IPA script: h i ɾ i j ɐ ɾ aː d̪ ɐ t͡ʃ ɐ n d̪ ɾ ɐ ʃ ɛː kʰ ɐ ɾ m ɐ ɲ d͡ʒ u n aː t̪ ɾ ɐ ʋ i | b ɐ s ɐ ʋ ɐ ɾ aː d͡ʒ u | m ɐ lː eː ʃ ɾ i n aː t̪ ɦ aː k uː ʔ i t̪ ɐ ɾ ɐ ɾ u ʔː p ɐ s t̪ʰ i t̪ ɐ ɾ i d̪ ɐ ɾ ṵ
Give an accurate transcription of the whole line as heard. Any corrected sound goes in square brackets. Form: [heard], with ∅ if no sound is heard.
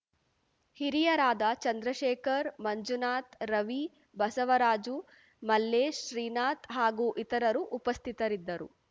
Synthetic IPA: h i ɾ i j ɐ ɾ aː d̪ ɐ t͡ʃ ɐ n d̪ ɾ ɐ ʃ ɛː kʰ ɐ ɾ m ɐ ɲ d͡ʒ u n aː t̪ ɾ ɐ ʋ i | b ɐ s ɐ ʋ ɐ ɾ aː d͡ʒ u | m ɐ lː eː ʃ ɾ [iː] n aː t̪ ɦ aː [ɡ] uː ʔ i t̪ ɐ ɾ ɐ ɾ u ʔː p ɐ s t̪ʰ i t̪ ɐ ɾ i [d̪ː] ɐ ɾ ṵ